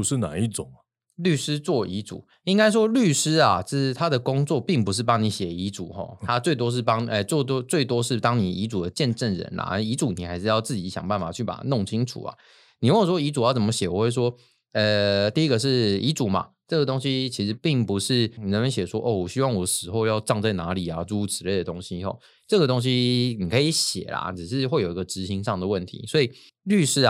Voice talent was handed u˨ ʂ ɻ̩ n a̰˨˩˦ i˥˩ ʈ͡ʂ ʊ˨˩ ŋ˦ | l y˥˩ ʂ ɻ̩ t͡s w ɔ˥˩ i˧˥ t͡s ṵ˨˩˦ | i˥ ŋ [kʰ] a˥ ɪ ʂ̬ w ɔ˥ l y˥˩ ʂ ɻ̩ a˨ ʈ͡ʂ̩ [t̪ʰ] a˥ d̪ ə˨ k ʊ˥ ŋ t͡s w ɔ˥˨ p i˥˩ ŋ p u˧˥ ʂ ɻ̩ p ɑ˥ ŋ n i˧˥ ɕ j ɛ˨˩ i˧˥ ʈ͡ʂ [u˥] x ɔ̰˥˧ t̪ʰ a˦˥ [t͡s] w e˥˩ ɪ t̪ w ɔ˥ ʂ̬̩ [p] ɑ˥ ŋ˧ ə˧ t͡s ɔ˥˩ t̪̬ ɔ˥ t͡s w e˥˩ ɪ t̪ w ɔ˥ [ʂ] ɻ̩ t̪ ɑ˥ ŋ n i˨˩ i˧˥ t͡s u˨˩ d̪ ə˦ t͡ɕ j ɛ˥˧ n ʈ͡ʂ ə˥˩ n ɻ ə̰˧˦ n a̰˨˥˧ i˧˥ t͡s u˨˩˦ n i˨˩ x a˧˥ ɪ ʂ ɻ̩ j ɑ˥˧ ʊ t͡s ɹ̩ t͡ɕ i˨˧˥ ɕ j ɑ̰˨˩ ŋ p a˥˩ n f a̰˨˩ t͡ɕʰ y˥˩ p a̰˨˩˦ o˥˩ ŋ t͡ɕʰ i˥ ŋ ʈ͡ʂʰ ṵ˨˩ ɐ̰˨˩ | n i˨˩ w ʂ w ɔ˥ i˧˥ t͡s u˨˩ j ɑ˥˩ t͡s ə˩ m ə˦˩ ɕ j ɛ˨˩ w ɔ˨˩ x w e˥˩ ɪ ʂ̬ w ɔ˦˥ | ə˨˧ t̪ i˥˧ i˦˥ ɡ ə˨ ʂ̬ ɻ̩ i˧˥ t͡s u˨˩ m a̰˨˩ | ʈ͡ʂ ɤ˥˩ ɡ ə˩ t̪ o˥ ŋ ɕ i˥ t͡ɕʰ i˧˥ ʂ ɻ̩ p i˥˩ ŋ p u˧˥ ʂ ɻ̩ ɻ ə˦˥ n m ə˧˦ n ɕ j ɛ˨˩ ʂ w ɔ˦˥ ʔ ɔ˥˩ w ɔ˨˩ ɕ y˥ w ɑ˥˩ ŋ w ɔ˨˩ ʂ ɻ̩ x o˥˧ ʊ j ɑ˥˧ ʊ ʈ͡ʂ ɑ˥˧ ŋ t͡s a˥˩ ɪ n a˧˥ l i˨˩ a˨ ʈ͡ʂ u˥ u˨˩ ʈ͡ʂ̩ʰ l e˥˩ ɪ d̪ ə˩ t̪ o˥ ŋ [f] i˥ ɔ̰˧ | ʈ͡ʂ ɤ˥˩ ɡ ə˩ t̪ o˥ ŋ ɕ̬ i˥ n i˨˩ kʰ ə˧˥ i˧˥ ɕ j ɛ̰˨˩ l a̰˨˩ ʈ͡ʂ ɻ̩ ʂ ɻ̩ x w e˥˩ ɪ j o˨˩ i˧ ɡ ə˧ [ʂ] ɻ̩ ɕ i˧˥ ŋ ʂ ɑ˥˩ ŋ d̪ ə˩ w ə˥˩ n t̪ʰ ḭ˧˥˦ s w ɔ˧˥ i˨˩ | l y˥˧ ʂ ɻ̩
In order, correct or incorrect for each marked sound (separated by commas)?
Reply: incorrect, correct, incorrect, correct, correct, correct, incorrect, incorrect